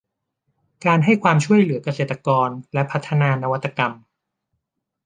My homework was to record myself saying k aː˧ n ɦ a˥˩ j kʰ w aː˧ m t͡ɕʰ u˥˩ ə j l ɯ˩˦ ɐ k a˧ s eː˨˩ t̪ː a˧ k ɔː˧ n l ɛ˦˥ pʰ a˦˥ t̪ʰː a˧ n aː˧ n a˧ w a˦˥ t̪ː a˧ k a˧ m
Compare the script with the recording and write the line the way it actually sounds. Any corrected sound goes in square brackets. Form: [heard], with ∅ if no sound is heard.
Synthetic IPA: k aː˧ n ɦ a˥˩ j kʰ w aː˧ m t͡ɕʰ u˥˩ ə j l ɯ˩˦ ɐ k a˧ s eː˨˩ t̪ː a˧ k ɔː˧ n l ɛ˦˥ pʰ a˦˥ t̪ʰː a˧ n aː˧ n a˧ w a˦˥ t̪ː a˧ k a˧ m